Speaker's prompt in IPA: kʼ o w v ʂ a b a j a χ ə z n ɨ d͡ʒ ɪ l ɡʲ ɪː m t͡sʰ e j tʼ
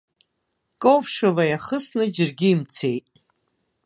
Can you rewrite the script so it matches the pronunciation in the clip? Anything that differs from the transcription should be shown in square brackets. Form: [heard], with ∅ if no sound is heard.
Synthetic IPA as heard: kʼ o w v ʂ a [v] a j a χ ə [s] n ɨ d͡ʒ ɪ [r] ɡʲ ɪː m t͡sʰ e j tʼ